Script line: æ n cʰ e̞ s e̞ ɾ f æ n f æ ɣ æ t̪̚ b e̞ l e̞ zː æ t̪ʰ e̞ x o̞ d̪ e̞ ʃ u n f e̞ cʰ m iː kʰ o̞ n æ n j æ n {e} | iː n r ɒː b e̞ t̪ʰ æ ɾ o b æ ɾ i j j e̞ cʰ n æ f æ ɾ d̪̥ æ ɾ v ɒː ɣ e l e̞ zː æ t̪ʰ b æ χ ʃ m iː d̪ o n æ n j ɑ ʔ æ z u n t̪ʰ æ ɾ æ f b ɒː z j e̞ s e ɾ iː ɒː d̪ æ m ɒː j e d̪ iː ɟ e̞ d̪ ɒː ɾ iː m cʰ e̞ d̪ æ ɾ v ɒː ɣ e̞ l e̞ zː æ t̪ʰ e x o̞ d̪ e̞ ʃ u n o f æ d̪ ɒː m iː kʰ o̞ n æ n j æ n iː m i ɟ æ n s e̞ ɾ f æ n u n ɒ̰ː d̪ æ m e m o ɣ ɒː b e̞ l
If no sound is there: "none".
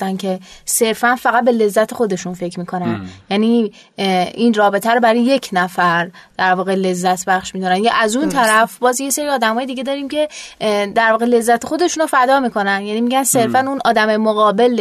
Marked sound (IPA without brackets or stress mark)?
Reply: i